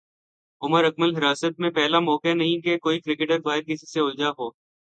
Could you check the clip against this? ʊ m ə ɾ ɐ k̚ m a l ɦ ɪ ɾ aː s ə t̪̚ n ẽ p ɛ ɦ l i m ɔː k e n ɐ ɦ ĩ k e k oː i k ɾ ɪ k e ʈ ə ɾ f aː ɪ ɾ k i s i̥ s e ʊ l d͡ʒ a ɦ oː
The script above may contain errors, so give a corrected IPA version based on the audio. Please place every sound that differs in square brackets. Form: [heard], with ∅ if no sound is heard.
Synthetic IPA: ʊ m ə ɾ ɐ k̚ m [ə] l ɦ ɪ ɾ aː s ə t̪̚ [m] ẽ p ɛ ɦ l [a] m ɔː k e n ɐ ɦ ĩ k e k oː i k ɾ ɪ k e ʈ ə ɾ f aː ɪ ɾ k [ɪ] s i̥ s e ʊ l d͡ʒ a ɦ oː